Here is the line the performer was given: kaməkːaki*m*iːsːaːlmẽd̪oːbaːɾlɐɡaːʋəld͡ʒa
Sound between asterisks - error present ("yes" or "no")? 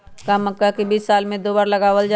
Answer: yes